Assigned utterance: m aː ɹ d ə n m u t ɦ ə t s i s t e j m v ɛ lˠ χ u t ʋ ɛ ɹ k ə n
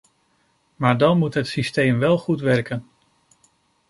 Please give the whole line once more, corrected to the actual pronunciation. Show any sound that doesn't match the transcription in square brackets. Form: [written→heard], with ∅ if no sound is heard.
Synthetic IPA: m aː ɹ d [ə→ɑ] n m u t ɦ ə t s i s t e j m [v→ʋ] ɛ lˠ χ u t ʋ ɛ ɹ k ə n